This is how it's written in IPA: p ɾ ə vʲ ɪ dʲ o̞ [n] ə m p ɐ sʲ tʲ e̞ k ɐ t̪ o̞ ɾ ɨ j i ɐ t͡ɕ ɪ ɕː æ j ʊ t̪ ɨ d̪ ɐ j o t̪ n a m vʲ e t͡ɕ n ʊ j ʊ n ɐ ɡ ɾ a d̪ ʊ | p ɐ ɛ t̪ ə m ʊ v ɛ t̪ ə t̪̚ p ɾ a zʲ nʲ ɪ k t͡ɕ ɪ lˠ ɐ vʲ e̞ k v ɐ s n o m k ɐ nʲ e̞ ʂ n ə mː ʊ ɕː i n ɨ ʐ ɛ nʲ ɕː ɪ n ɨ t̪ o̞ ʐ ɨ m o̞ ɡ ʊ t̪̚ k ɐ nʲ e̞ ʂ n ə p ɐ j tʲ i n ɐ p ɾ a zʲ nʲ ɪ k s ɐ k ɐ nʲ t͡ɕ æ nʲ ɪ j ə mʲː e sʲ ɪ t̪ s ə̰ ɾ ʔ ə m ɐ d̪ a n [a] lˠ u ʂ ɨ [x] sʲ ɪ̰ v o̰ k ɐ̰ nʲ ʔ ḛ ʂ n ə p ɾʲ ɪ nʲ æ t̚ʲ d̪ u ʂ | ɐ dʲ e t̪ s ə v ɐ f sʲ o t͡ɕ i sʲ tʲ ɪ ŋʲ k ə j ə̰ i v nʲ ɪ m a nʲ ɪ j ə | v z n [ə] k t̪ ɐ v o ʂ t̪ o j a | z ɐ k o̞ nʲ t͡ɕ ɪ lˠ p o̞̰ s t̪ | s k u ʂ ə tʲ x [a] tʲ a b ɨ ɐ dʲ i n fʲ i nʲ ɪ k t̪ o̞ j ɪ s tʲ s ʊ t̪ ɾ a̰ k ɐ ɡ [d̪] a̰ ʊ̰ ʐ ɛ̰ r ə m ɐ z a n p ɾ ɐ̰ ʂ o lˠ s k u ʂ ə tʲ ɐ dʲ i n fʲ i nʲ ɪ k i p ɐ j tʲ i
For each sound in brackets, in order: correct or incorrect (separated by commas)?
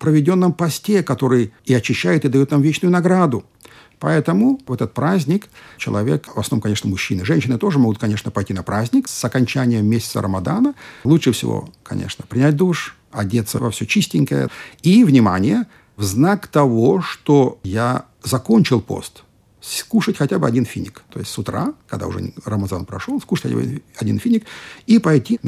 incorrect, incorrect, incorrect, incorrect, incorrect, correct